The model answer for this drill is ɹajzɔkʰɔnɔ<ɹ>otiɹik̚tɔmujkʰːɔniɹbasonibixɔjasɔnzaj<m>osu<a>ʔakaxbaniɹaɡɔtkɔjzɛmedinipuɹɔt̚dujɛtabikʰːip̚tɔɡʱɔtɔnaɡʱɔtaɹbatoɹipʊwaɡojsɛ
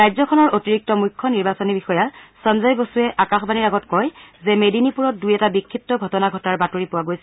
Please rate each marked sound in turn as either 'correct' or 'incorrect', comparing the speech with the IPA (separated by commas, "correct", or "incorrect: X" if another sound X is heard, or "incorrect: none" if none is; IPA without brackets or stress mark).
correct, incorrect: b, incorrect: ɛ